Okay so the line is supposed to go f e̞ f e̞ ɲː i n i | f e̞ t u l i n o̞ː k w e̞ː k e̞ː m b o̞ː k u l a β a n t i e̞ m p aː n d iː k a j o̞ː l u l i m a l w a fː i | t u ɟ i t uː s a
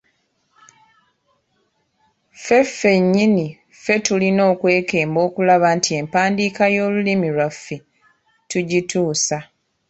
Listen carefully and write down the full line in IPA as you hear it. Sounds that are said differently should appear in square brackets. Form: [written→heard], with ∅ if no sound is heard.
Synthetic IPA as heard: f e̞ f e̞ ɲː i n i | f e̞ t u l i n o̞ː k w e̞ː k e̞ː m b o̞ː k u l a β a n t i e̞ m p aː n d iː k a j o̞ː l u l i m [a→i] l w a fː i | t u ɟ i t uː s a